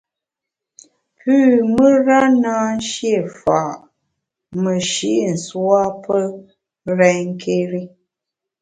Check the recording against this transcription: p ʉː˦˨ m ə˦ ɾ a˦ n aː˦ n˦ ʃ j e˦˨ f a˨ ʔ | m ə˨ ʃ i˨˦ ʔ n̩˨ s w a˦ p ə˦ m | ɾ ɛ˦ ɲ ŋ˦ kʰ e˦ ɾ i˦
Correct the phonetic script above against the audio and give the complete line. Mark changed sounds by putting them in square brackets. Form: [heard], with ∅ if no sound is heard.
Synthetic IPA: p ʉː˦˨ m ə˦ ɾ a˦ n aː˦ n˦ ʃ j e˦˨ f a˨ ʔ | m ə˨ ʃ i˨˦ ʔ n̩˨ s w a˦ p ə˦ [∅] | ɾ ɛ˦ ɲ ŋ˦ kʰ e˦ ɾ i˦